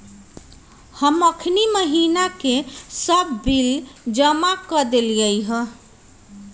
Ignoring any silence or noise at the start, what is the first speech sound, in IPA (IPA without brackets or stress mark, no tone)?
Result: h